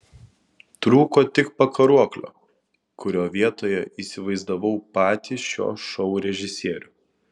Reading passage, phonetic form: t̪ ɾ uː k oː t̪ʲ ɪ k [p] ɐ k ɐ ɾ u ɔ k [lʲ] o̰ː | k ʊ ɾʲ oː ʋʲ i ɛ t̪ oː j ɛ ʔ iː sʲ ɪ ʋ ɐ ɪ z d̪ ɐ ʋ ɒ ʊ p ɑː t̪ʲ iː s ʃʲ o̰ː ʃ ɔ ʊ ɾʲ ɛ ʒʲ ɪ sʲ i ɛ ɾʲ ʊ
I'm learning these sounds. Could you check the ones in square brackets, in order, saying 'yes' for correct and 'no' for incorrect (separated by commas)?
yes, yes